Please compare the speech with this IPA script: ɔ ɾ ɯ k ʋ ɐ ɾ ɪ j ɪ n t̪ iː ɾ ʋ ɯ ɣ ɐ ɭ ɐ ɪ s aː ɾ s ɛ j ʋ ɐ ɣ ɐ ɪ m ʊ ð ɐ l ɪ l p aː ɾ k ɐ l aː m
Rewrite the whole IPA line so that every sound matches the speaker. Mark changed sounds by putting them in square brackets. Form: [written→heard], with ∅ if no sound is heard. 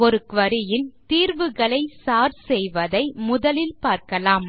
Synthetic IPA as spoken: ɔ ɾ ɯ k ʋ ɐ ɾ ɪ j ɪ n t̪ iː ɾ ʋ ɯ ɣ ɐ ɭ ɐ ɪ s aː ɾ s ɛ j ʋ ɐ [ɣ→ð] ɐ ɪ m ʊ ð ɐ l ɪ l p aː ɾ k ɐ l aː m